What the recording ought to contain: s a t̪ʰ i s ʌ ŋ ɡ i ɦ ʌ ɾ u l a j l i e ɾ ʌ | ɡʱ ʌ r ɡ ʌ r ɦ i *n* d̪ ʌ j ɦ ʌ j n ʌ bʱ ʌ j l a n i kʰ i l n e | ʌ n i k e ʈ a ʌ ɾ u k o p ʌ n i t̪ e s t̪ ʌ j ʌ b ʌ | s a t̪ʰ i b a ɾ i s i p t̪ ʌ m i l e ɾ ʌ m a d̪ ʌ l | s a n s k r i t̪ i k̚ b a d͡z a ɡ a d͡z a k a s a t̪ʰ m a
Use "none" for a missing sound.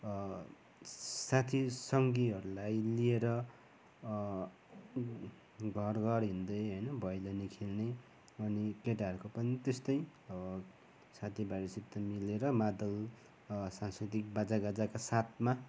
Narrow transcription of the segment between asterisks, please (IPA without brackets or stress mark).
n